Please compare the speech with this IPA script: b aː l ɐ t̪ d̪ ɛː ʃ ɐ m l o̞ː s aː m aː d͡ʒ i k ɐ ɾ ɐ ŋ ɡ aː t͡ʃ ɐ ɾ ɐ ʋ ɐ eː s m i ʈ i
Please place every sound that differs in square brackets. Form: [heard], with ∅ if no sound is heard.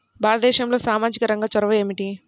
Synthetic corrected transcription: b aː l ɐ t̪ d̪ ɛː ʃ ɐ m l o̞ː s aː m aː d͡ʒ i k ɐ ɾ ɐ ŋ ɡ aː t͡ʃ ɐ ɾ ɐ ʋ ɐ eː [∅] m i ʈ i